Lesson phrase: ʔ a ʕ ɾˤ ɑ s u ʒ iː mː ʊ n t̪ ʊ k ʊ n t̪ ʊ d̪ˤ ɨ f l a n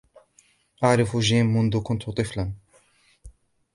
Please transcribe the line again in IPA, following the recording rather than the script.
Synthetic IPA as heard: ʔ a ʕ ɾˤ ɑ f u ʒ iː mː ʊ n d̪ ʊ k ʊ n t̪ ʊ t̪ˤ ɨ f l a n